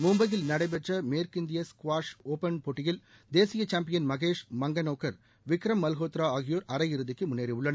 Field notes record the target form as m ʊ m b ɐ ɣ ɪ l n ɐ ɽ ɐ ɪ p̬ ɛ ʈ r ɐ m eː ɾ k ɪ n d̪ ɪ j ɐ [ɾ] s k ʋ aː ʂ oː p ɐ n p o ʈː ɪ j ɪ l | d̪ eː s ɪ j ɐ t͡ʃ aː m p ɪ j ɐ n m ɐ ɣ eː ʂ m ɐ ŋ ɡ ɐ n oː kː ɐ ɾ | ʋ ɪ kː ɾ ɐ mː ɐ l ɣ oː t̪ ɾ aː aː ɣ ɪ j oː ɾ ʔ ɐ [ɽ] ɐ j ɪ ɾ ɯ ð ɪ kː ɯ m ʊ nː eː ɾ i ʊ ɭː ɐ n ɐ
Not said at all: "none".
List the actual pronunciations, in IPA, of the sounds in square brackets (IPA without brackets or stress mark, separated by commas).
none, ɾ